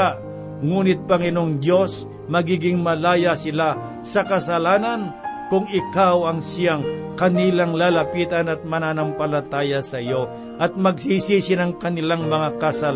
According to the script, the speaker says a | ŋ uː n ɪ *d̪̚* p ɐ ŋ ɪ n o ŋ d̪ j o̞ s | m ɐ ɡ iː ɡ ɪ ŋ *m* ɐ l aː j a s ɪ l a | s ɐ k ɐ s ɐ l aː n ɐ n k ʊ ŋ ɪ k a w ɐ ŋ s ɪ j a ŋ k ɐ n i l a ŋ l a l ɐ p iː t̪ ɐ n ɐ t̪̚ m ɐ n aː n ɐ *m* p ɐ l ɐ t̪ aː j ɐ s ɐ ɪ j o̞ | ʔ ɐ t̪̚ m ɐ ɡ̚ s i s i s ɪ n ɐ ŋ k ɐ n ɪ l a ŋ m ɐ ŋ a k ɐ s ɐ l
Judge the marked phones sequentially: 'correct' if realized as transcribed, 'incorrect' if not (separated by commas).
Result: incorrect, correct, correct